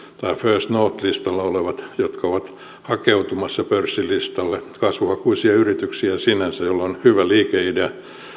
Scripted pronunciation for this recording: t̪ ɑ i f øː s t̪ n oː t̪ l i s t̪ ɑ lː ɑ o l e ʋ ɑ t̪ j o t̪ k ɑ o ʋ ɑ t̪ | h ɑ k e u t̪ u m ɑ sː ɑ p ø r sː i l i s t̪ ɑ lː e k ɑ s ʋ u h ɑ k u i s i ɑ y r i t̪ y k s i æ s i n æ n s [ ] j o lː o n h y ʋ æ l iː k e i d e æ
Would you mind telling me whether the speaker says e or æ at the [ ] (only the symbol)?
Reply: æ